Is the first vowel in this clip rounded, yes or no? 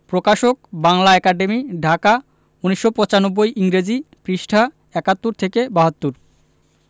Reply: yes